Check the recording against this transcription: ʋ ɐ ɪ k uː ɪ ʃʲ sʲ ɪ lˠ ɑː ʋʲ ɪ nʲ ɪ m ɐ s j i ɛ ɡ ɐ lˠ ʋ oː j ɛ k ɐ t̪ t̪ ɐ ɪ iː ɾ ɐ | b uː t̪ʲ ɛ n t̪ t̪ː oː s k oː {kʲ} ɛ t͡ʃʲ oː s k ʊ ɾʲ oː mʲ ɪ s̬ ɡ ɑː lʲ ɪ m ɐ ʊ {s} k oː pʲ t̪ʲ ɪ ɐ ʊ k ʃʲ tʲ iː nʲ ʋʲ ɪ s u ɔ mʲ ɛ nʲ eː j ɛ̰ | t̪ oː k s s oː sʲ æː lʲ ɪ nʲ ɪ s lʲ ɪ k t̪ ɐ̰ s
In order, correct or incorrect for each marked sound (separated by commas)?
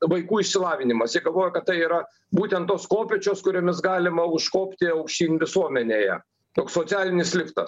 incorrect, incorrect